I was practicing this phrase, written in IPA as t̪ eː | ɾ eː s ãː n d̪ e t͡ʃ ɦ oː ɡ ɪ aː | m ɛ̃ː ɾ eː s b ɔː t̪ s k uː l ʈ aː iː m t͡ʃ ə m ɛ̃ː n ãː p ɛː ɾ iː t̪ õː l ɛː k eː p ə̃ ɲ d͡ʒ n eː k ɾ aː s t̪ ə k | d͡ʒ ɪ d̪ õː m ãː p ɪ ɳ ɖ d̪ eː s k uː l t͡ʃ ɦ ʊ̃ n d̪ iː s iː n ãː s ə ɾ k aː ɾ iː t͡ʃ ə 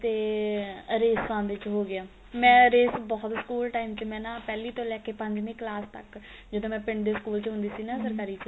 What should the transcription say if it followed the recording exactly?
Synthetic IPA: t̪ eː | ɾ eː s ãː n d̪ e t͡ʃ ɦ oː ɡ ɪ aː | m ɛ̃ː ɾ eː s b ɔː t̪ s k uː l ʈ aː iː m t͡ʃ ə m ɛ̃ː n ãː p ɛː l iː t̪ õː l ɛː k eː p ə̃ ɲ d͡ʒ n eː k l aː s t̪ ə k | d͡ʒ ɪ d̪ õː m ɛ̃ː p ɪ ɳ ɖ d̪ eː s k uː l t͡ʃ ɦ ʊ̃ n d̪ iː s iː n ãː s ə ɾ k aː ɾ iː t͡ʃ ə

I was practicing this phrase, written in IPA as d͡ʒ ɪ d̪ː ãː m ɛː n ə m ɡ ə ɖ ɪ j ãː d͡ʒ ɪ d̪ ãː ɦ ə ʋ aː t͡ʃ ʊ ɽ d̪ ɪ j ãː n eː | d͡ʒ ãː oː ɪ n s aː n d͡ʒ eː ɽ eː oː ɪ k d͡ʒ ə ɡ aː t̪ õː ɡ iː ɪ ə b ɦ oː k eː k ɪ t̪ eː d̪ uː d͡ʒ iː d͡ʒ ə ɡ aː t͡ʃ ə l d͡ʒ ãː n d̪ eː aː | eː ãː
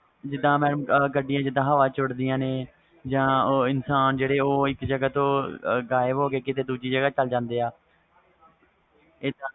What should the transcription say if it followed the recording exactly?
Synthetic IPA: d͡ʒ ɪ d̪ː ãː m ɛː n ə m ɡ ə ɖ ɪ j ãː d͡ʒ ɪ d̪ ãː ɦ ə ʋ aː t͡ʃ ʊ ɽ d̪ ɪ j ãː n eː | d͡ʒ ãː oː ɪ n s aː n d͡ʒ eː ɽ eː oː ɪ k d͡ʒ ə ɡ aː t̪ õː ɡ aː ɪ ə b ɦ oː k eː k ɪ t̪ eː d̪ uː d͡ʒ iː d͡ʒ ə ɡ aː t͡ʃ ə l d͡ʒ ãː n d̪ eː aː | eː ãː

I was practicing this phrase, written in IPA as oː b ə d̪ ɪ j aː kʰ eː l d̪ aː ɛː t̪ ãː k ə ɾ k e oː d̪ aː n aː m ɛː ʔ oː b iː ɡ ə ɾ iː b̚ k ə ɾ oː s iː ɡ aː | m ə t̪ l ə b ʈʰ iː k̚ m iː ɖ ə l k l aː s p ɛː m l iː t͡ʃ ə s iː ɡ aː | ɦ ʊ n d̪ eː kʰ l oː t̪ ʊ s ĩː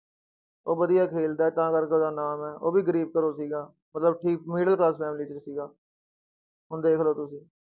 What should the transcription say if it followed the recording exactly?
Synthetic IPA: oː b ə d̪ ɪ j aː kʰ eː l d̪ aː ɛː t̪ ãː k ə ɾ k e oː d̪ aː n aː m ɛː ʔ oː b iː ɡ ə ɾ iː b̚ k ə ɾ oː s iː ɡ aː | m ə t̪ l ə b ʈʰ iː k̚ m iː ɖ ə l k l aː s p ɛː m l iː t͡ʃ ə s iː ɡ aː | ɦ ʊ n d̪ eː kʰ l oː t̪ ʊ s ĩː

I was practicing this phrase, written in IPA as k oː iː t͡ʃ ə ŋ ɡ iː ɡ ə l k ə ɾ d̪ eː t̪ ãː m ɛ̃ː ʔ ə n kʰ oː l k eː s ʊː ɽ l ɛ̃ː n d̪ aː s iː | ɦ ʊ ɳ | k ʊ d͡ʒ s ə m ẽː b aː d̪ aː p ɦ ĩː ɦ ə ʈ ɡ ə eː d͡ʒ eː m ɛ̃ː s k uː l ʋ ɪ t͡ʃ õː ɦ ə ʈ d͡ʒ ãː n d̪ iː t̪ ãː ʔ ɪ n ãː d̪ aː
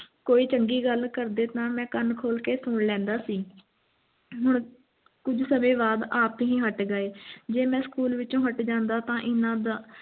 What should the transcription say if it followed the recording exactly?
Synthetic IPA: k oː iː t͡ʃ ə ŋ ɡ iː ɡ ə l k ə ɾ d̪ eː t̪ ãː m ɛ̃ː k ə n kʰ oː l k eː s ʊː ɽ l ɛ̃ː n d̪ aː s iː | ɦ ʊ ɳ | k ʊ d͡ʒ s ə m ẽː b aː d̪ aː p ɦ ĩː ɦ ə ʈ ɡ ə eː d͡ʒ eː m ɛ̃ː s k uː l ʋ ɪ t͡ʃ õː ɦ ə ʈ d͡ʒ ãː n d̪ aː t̪ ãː ʔ ɪ n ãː d̪ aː

